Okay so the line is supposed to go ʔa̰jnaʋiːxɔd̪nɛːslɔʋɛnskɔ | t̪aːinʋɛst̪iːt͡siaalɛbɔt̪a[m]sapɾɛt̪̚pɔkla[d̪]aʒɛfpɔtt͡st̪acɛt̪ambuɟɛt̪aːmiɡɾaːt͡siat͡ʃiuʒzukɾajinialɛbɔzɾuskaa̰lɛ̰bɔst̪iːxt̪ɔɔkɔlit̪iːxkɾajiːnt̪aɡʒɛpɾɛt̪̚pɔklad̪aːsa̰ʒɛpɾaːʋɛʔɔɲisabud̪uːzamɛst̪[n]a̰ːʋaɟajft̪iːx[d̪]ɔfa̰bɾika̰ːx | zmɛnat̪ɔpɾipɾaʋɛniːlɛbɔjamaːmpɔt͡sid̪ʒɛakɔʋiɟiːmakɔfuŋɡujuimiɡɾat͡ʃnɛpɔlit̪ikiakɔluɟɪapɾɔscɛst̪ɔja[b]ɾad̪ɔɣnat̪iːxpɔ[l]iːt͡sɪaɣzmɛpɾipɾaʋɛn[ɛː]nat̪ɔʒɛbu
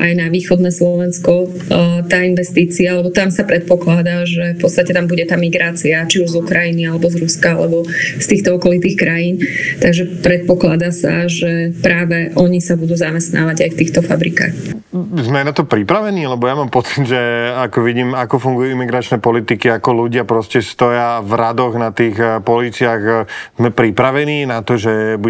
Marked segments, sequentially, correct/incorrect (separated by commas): correct, correct, correct, incorrect, incorrect, correct, incorrect